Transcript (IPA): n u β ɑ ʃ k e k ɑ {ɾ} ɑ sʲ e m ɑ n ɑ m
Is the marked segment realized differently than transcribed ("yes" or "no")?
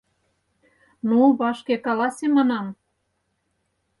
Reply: yes